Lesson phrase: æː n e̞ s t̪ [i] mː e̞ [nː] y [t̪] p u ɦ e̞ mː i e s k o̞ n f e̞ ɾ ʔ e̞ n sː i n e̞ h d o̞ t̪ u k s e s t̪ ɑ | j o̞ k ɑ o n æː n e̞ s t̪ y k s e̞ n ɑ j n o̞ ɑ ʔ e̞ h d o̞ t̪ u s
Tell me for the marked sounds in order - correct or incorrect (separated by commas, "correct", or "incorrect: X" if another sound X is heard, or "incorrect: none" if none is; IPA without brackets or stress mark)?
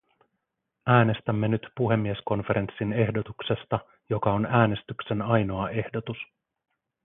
incorrect: æ, incorrect: n, correct